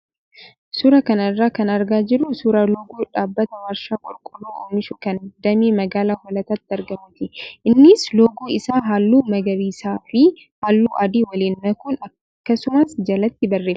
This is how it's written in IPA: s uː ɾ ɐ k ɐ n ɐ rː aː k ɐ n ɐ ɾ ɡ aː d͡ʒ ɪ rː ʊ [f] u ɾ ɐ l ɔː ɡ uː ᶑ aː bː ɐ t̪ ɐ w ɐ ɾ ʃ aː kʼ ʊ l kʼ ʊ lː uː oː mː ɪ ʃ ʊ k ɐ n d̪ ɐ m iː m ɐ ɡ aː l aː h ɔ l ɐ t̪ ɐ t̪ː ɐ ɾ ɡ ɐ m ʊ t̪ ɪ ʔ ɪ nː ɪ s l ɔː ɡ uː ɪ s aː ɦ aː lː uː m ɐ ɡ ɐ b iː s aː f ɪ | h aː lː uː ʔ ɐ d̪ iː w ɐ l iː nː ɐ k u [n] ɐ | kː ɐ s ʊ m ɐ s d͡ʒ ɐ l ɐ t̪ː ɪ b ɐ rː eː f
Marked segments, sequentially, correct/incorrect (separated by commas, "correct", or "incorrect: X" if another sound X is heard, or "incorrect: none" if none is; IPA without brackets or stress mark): incorrect: s, correct